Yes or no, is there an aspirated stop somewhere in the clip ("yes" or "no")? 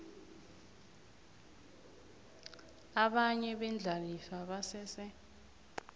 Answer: no